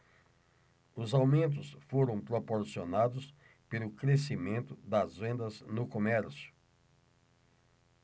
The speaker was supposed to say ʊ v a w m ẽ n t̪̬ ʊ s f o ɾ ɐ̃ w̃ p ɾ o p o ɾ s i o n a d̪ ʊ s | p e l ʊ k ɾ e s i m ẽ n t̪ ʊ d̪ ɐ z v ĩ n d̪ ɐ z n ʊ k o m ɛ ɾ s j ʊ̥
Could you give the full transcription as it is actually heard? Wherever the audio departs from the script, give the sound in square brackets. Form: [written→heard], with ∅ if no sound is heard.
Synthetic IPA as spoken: ʊ [v→z] a w m ẽ n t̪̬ ʊ s f o ɾ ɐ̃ w̃ p ɾ o p o ɾ s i o n a d̪ ʊ s | p e l ʊ k ɾ e s i m ẽ n t̪ ʊ d̪ ɐ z v [ĩ→ẽ] n d̪ ɐ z n ʊ k o m ɛ ɾ s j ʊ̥